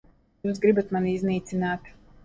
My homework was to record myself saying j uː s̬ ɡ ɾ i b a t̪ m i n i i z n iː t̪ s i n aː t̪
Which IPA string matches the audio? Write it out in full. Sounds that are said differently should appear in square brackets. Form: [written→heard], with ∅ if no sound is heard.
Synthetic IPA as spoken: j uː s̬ ɡ ɾ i b a t̪ m [i→a] n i i z n iː t̪ s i n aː t̪